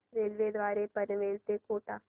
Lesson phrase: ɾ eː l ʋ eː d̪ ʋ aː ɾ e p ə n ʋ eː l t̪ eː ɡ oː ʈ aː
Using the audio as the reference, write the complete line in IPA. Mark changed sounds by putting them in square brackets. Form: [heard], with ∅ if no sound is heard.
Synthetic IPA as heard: ɾ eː l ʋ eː d̪ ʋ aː ɾ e p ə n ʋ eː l t̪ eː [k] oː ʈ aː